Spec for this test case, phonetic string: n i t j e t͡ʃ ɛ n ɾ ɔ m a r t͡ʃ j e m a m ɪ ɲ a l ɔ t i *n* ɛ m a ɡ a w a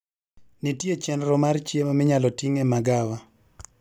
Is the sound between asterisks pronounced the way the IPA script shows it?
no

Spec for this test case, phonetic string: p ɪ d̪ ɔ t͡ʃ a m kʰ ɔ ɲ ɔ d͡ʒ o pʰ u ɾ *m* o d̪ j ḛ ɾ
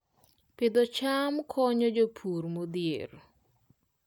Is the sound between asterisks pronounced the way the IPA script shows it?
yes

